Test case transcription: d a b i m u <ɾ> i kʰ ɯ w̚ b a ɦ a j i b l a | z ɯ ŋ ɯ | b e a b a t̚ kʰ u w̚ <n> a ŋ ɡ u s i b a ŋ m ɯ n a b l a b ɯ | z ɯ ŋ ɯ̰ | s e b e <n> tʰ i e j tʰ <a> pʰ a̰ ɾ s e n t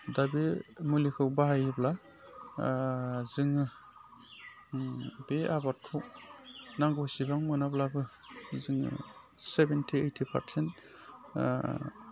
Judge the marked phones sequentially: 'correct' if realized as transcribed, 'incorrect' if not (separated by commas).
incorrect, correct, correct, incorrect